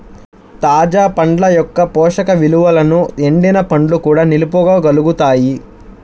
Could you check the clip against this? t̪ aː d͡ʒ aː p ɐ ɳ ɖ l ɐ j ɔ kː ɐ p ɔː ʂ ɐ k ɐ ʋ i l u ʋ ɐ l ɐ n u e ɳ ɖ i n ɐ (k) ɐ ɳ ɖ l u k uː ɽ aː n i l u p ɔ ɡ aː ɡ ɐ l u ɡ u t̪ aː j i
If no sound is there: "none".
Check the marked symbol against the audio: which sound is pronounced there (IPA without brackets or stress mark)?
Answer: p